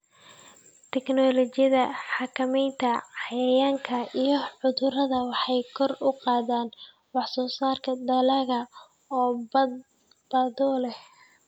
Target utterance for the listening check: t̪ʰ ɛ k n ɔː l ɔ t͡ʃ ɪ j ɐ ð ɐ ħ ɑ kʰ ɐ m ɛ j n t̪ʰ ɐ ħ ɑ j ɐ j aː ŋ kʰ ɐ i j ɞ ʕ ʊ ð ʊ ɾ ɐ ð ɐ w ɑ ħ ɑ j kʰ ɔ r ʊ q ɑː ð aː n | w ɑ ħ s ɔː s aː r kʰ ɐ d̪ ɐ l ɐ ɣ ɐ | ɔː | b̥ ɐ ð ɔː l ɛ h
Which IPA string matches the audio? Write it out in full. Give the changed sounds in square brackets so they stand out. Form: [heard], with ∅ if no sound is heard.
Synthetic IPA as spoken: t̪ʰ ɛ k n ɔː l ɔ t͡ʃ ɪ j ɐ ð ɐ ħ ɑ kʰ ɐ m ɛ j n t̪ʰ ɐ ħ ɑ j ɐ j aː ŋ kʰ ɐ i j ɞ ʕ ʊ ð ʊ ɾ ɐ ð ɐ w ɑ ħ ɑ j kʰ ɔ r ʊ q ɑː ð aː n | w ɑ ħ s ɔː s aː r kʰ ɐ d̪ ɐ l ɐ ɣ ɐ | ɔː | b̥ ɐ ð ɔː l ɛ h